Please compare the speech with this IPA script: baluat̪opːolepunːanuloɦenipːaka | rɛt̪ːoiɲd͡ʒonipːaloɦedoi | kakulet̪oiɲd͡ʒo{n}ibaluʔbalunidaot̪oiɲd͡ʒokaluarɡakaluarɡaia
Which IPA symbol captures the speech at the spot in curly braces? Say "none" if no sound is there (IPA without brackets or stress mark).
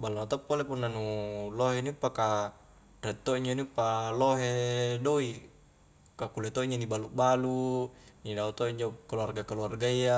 n